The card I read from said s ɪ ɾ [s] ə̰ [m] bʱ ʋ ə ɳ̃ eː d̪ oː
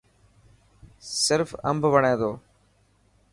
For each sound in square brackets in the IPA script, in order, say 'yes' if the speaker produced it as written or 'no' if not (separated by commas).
no, yes